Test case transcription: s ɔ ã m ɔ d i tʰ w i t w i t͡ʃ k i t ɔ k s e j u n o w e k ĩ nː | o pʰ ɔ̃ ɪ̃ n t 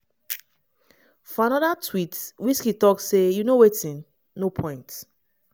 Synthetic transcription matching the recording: f ɔ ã n ɔ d a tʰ w i t w i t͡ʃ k i t ɔ k s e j u n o w e t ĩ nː | o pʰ ɔ̃ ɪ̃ n t